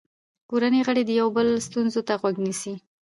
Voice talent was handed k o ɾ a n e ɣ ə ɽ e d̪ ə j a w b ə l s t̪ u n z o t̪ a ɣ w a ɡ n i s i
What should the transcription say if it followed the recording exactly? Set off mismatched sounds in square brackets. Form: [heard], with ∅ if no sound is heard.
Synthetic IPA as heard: k o ɾ a n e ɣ ə ɽ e d̪ ə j a w b ə l s t̪ u n z o t̪ a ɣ w a ɡ n i s i

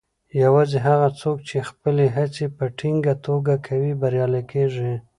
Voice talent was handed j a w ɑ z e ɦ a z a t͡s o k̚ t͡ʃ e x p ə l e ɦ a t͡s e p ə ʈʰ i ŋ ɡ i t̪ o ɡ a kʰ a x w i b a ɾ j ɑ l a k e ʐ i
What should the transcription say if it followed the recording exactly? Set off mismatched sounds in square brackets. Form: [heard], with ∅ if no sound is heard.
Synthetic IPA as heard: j a w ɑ z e ɦ a [ɣ] a t͡s o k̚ t͡ʃ e x p ə l e ɦ a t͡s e p ə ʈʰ i ŋ ɡ [a] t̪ o ɡ a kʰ a [∅] w i b a ɾ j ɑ l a k e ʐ i

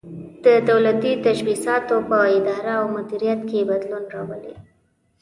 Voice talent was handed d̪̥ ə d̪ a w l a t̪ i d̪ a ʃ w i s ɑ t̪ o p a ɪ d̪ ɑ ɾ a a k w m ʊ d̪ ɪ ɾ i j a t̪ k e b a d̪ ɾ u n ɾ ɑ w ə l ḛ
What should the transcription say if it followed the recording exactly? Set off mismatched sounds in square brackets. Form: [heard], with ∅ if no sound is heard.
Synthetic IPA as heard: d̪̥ ə d̪ a w l a t̪ i [t̪] a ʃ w i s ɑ t̪ o p [ə] ɪ d̪ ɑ ɾ a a [∅] w m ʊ d̪ [i] ɾ i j a t̪ k e b a d̪ [l] u n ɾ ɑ w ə l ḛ

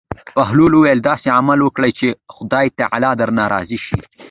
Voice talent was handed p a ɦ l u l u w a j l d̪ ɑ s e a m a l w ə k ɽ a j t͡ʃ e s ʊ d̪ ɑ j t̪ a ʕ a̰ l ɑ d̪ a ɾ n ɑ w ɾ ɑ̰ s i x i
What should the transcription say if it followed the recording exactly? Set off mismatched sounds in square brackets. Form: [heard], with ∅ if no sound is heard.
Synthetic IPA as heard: p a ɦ l u l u w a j l d̪ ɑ s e a m a l w ə k ɽ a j t͡ʃ e [x] ʊ d̪ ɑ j t̪ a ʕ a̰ l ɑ d̪ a ɾ n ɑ [∅] ɾ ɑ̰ [z] i [ʃ] i

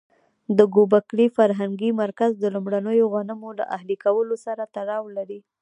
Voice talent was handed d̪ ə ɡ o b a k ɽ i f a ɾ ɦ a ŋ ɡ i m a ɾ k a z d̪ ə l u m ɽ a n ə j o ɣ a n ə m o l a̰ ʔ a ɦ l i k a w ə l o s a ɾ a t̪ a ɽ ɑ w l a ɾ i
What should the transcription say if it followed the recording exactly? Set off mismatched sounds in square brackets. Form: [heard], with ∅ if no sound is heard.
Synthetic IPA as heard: d̪ ə ɡ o b a k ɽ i f a ɾ ɦ a ŋ ɡ i m a ɾ k a z d̪ ə l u m ɽ a n ə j o ɣ a n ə m o l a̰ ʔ a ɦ l i k a w ə l o s a ɾ a t̪ a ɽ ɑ w l a ɾ i

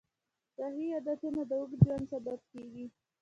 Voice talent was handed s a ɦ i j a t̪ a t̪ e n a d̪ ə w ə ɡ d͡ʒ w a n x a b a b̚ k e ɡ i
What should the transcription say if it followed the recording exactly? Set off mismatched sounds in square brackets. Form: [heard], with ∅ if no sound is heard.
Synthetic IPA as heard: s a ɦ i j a [d̪] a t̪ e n a d̪ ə w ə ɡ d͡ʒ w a n [s] a b a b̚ k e ɡ i

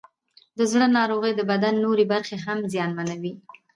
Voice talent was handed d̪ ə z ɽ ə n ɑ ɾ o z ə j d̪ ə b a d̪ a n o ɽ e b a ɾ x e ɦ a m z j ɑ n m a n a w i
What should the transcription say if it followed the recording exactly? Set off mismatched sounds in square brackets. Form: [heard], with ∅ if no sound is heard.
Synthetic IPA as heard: d̪ ə z ɽ ə n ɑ ɾ o [ɣ] ə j d̪ ə b a d̪ a [nː] o [ɾ] e b a ɾ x e ɦ a m z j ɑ n m a n a w i

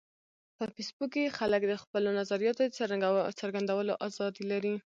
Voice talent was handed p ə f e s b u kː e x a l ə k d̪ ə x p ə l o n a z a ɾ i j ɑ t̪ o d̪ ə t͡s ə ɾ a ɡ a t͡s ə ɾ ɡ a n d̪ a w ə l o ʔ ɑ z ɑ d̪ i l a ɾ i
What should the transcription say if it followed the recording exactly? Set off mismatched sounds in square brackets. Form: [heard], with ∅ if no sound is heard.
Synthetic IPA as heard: p ə f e s b u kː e x a l ə k d̪ ə x p ə l o n a z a ɾ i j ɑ t̪ o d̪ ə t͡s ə ɾ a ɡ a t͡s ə ɾ ɡ a n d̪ a w ə l o ʔ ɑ z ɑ d̪ i l a ɾ i

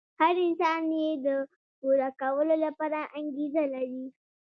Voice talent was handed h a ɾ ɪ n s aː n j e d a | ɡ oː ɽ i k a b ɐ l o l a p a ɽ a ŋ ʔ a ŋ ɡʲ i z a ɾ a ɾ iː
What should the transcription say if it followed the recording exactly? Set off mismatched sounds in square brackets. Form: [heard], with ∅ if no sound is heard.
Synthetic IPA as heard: h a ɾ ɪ n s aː n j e d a | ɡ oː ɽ [a] k a [w] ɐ l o l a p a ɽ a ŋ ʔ a ŋ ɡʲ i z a [l] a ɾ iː

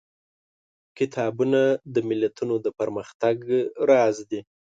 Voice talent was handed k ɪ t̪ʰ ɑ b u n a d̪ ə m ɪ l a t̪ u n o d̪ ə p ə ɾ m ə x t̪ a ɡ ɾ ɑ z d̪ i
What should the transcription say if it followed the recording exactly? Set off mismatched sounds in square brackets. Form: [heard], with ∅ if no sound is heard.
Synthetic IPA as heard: k ɪ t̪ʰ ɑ b u n a d̪ ə m ɪ l a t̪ u n o d̪ ə p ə ɾ m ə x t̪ a ɡ ɾ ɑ z d̪ i

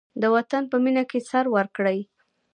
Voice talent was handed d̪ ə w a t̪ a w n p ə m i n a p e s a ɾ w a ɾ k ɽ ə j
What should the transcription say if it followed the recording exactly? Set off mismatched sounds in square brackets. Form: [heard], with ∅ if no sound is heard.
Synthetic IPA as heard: d̪ ə w a t̪ a [∅] n p ə m i n a [k] e s a ɾ w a ɾ k ɽ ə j

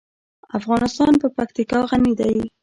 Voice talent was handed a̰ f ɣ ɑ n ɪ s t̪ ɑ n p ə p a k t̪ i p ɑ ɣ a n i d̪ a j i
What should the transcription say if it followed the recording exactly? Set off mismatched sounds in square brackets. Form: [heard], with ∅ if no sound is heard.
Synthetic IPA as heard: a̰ f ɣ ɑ n ɪ s t̪ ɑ n p ə p a k t̪ i [k] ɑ ɣ a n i d̪ a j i

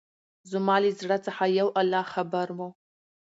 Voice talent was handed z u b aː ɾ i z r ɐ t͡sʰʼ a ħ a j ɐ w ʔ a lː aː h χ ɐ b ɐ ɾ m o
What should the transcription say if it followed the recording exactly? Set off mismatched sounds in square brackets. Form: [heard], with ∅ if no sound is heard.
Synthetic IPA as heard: z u [m] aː [l] i z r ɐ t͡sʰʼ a ħ a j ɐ w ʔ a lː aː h χ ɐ b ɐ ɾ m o

